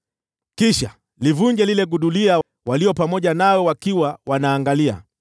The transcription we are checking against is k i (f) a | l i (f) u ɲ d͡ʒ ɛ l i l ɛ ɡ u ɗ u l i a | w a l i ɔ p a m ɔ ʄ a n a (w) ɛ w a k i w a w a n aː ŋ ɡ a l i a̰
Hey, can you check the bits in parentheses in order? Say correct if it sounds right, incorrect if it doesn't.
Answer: incorrect: ʃ, incorrect: v, correct

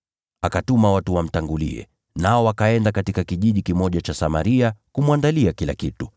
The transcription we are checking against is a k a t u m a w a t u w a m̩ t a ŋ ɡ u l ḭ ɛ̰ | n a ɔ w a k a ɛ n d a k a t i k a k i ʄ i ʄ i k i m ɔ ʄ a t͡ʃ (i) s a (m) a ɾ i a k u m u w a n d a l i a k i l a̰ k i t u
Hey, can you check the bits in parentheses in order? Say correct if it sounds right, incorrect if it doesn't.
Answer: incorrect: a, correct

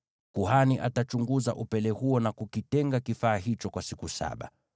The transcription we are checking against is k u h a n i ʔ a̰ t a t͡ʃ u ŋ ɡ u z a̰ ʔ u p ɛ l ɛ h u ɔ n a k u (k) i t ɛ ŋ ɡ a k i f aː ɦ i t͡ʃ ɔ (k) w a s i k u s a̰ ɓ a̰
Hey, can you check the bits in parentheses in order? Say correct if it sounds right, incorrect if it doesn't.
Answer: correct, correct

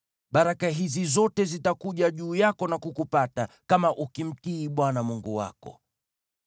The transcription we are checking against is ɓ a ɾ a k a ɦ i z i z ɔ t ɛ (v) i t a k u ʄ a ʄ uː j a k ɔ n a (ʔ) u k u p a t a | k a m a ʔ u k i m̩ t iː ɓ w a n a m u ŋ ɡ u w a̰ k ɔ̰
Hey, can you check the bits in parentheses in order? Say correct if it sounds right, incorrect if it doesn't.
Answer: incorrect: z, incorrect: k

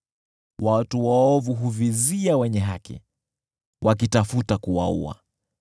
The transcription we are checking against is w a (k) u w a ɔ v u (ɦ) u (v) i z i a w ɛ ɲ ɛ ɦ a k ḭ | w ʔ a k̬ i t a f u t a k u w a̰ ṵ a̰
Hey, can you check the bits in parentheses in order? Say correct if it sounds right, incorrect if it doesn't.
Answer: incorrect: t, correct, correct

